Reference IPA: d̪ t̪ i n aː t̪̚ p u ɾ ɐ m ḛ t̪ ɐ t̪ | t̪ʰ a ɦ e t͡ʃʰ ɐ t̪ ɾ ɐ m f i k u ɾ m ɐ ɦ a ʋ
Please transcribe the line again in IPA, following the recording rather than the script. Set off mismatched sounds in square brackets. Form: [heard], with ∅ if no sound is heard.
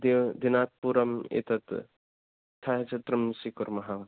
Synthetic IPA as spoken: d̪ [d̪] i n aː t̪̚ p u ɾ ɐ m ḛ t̪ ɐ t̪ | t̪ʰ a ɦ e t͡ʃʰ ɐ t̪ ɾ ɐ m [s] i k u ɾ m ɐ ɦ a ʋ